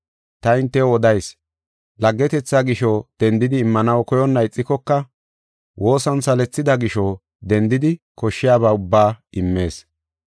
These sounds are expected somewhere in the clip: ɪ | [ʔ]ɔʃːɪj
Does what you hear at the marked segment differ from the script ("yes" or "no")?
yes